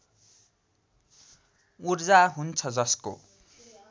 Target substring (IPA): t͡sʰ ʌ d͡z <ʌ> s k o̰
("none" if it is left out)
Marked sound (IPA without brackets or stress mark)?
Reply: ʌ